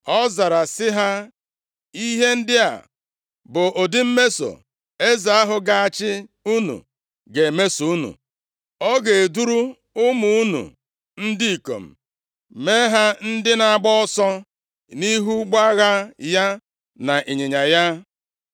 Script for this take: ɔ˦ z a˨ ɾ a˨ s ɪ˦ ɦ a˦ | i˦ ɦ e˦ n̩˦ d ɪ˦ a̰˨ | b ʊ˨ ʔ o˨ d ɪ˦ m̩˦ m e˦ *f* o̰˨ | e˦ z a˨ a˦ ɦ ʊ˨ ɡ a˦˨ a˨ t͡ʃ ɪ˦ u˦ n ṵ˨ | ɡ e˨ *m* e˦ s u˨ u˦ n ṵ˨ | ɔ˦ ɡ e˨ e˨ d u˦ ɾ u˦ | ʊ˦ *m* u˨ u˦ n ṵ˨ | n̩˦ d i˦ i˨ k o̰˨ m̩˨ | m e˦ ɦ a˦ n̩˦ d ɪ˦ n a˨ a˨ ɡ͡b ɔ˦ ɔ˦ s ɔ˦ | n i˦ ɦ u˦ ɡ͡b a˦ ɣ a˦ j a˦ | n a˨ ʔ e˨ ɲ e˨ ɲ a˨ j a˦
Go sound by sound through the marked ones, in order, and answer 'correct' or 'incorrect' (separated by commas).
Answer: incorrect, correct, correct